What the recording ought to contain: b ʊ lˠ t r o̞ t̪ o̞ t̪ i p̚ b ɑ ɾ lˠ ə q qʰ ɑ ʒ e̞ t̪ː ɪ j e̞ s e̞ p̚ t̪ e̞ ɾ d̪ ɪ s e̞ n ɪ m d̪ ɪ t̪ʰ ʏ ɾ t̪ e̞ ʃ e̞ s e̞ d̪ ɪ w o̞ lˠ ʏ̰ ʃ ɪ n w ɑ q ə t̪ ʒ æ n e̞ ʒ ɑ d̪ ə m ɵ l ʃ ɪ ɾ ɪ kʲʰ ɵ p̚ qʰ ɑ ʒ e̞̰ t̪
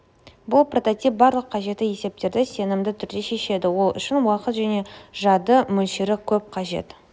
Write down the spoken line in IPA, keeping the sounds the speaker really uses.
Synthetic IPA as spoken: b ʊ lˠ p r o̞ t̪ o̞ t̪ i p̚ b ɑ ɾ lˠ ə q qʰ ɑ ʒ e̞ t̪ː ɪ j e̞ s e̞ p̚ t̪ e̞ ɾ d̪ ɪ s e̞ n ɪ m d̪ ɪ t̪ʰ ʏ ɾ d̪ e̞ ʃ e̞ ʃ e̞ d̪ ɪ w o̞ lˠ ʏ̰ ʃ ɪ n w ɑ q ə t̪ ʒ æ n e̞ ʒ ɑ d̪ ə m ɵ l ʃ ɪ ɾ ɪ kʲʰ ɵ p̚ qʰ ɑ ʒ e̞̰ t̪

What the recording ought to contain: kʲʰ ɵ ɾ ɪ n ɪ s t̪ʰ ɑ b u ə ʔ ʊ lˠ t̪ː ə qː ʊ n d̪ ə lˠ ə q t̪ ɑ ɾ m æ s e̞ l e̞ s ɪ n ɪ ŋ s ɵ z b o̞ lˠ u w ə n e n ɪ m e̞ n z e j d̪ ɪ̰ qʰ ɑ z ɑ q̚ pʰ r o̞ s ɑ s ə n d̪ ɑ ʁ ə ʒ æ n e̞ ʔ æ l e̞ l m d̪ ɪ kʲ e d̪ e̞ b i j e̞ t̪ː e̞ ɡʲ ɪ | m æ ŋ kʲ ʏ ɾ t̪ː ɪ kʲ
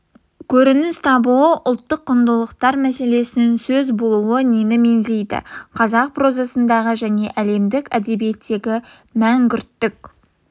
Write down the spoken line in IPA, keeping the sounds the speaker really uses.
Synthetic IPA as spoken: kʲʰ ɵ ɾ ɪ n ɪ s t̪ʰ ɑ b u ə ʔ ʊ lˠ t̪ː ə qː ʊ n d̪ ə lˠ ə q t̪ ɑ ɾ m æ s e̞ l e̞ s ɪ n ɪ ŋ s ɵ z b o̞ lˠ u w ə n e n ɪ m e̞ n z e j d̪ ɪ̰ qʰ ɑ z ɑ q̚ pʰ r o̞ z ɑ s ə n d̪ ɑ ʁ ə ʒ æ n e̞ ʔ æ l e̞ m d̪ ɪ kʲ æ d̪ e̞ b i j e̞ t̪ː e̞ ɡʲ ɪ | m æ ŋ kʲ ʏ ɾ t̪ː ɪ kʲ

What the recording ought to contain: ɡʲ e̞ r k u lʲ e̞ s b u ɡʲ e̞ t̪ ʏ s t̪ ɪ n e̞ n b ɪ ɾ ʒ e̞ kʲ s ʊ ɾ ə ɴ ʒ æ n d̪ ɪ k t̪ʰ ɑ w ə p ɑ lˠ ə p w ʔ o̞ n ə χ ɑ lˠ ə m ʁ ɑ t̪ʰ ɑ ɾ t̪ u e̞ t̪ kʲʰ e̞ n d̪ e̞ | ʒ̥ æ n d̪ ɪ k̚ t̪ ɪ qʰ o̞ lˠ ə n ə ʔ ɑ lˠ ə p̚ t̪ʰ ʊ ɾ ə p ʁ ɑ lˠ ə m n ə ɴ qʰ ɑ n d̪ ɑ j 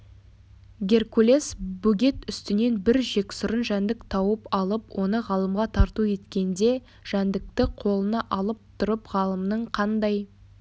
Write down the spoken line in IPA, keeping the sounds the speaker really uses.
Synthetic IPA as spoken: ɡʲ e̞ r k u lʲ e̞ s b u ɡʲ e̞ t̪ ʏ s t̪ ɪ n e̞ n b ɪ ɾ ʒ e̞ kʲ s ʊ ɾ ə n ʒ æ n d̪ ɪ k t̪ʰ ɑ w ə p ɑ lˠ ə p w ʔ o̞ n ə ʁ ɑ lˠ ə m ʁ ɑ t̪ʰ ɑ ɾ t̪ u e̞ t̪ kʲ e̞ n d̪ e̞ | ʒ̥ æ n d̪ ɪ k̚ t̪ ɪ qʰ o̞ lˠ ə n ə ʔ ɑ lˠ ə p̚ t̪ʰ ʊ ɾ ə p ʁ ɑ lˠ ə m n ə ɴ qʰ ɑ n d̪ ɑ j

